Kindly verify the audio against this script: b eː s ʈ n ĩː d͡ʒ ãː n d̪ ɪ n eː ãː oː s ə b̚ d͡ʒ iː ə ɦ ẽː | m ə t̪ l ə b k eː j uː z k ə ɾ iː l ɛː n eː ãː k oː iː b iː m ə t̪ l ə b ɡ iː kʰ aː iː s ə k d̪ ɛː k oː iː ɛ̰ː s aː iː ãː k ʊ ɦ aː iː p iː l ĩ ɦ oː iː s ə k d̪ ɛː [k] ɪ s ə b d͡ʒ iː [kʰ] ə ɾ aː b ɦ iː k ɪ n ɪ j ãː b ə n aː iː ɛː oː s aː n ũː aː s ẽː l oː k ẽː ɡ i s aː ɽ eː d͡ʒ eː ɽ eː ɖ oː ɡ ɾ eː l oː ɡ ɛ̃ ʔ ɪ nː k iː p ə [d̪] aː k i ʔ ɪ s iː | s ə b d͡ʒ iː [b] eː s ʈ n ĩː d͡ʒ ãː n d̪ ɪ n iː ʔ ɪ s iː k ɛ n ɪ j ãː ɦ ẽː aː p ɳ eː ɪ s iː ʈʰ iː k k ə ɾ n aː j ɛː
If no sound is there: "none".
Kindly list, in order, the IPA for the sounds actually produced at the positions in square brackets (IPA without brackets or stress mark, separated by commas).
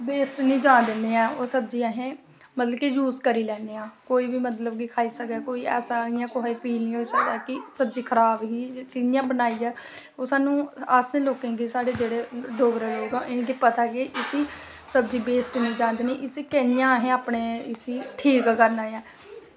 k, kʰ, t̪, b